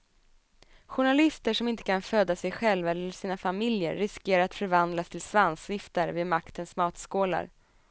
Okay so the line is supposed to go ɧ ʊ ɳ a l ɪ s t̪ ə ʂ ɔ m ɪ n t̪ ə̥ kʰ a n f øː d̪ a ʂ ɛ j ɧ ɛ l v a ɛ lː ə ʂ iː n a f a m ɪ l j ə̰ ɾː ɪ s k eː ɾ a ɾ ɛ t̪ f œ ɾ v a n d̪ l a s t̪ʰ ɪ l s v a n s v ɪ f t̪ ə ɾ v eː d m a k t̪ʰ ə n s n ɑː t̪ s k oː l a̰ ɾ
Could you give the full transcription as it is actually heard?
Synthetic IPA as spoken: ɧ ʊ ɳ a l ɪ s t̪ ə ʂ ɔ m ɪ n t̪ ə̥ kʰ a n f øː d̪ a s ɛ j ɧ ɛ l v a ɛ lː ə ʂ iː n a f a m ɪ l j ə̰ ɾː ɪ s k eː ɾ a ɾ a t̪ f œ ɾ v a n d̪ l a s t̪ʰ ɪ l s v a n s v ɪ f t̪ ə ɾ v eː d m a k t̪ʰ ə n s m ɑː t̪ s k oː l a̰ ɾ